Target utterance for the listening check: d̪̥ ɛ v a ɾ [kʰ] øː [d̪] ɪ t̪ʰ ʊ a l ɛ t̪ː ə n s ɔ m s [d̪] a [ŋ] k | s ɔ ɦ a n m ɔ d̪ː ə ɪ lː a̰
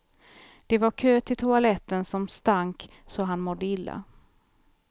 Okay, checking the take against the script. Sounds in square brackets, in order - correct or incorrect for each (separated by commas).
correct, incorrect, incorrect, correct